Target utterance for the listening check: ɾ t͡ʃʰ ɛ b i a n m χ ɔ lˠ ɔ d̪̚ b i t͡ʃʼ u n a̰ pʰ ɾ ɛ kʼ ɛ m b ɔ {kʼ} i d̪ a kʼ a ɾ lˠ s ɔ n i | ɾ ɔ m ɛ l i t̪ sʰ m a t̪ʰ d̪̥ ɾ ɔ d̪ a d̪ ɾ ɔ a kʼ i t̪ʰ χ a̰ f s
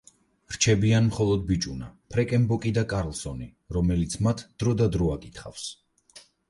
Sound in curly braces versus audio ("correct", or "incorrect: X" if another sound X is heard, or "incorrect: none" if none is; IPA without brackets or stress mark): correct